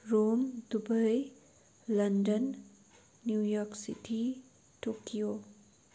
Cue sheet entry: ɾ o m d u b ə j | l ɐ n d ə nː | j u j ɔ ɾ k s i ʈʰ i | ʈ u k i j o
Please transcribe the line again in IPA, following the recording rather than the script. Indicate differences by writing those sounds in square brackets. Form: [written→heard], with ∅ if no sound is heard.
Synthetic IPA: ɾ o m d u b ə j | l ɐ n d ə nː | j u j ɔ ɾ k s i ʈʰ i | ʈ [u→o] k i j o